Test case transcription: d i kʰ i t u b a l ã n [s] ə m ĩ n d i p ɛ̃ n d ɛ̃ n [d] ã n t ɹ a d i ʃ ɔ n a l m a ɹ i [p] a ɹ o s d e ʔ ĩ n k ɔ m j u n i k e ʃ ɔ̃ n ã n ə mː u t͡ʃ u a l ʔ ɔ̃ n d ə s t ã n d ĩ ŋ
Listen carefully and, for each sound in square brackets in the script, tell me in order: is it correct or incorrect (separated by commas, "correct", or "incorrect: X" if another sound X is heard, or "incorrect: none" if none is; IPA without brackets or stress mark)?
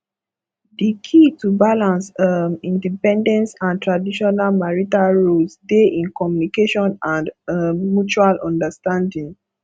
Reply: correct, incorrect: t, incorrect: t